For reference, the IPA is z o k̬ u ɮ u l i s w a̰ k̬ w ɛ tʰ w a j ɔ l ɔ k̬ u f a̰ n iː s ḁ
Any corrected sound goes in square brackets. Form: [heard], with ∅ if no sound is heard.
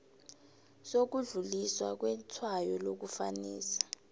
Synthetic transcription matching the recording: [s] o k̬ u ɮ u l i s w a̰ k̬ w ɛ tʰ w a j ɔ l [o] k̬ u f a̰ n iː s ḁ

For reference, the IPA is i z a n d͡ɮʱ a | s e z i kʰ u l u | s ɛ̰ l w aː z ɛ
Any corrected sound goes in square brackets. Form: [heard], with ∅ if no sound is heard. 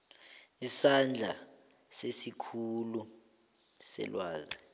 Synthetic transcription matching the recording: i [s] a n d͡ɮʱ a | s e [s] i kʰ u l u | s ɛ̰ l w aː z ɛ

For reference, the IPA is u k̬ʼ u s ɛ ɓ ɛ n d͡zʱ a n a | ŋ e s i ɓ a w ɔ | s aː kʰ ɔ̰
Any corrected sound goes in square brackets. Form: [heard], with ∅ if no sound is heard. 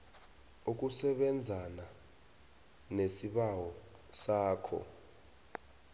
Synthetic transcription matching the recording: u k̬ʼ u s ɛ ɓ ɛ n d͡zʱ a n a | [n] e s i ɓ a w ɔ | s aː kʰ ɔ̰

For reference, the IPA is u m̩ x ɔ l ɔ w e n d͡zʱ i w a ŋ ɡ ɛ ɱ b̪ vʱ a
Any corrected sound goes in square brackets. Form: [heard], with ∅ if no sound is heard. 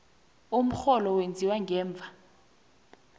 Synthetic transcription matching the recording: u m̩ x ɔ l ɔ w e n d͡zʱ i w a ŋ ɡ [ɛː] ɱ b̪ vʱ a

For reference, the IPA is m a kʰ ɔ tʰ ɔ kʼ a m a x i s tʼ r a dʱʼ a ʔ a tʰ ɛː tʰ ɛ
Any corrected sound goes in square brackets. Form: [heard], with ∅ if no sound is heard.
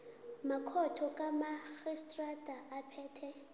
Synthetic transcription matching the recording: m a kʰ ɔ tʰ ɔ kʼ a m a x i s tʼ r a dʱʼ a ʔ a [pʰ] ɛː tʰ ɛ

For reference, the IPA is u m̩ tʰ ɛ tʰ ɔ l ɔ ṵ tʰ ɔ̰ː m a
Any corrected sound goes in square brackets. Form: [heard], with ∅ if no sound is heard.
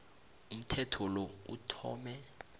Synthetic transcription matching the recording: u m̩ tʰ ɛ tʰ ɔ l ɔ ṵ tʰ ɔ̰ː m [ɛ]

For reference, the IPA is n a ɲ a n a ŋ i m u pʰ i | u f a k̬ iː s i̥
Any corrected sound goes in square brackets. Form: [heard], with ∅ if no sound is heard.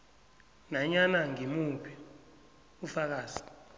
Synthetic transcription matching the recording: n a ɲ a n a ŋ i m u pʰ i | u f a k̬ [aː] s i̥

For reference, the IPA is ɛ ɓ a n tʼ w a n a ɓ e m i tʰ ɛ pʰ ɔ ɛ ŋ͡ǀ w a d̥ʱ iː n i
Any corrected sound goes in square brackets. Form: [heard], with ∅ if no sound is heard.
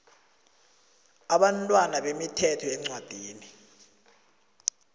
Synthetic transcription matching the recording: [a] ɓ a n tʼ w a n a ɓ e m i tʰ ɛ [tʰ] ɔ ɛ ŋ͡ǀ w a d̥ʱ iː n i

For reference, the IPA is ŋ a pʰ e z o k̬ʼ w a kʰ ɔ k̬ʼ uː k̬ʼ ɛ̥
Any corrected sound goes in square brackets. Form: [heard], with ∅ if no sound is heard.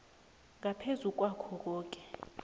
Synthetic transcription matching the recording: ŋ a pʰ e z [u] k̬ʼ w a kʰ ɔ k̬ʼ [ɔː] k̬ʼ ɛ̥

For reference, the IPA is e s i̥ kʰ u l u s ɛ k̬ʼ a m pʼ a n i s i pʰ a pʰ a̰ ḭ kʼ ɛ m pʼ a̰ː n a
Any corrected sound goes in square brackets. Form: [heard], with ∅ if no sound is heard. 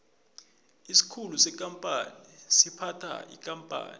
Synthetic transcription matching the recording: [i] s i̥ kʰ u l u s ɛ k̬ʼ a m pʼ a n i s i pʰ a [tʰ] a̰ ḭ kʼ [a] m pʼ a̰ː n [i]

